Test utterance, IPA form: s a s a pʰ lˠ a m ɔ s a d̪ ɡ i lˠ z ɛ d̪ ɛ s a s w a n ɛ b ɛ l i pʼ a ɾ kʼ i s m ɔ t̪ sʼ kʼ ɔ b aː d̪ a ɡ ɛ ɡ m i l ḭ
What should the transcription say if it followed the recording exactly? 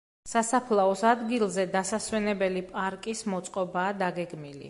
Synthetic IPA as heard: s a s a pʰ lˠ a ɔ s a d̪ ɡ i lˠ z ɛ d̪ a s a s w ɛ n ɛ b ɛ l i pʼ a ɾ kʼ i s m ɔ t̪ sʼ qʼ ɔ b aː d̪ a ɡ ɛ ɡ m i l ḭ